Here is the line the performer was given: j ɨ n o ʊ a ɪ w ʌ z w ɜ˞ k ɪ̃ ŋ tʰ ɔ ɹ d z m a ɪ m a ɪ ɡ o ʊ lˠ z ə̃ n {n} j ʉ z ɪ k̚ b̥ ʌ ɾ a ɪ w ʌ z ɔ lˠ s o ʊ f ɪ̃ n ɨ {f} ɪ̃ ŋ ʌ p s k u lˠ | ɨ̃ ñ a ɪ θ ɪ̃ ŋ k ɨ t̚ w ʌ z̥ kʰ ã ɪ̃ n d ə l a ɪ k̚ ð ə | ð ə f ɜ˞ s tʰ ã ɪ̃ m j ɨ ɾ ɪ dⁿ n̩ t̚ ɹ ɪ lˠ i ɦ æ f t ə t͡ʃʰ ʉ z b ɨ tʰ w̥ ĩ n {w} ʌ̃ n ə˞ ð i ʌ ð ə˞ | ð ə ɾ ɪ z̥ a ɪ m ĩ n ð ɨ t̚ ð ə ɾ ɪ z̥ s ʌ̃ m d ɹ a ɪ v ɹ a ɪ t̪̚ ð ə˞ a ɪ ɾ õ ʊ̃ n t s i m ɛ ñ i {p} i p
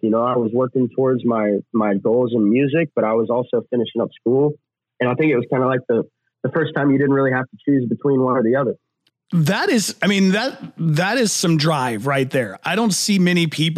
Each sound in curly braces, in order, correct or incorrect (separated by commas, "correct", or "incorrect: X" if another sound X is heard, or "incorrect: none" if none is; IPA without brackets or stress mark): incorrect: m, incorrect: ʃ, correct, incorrect: pʰ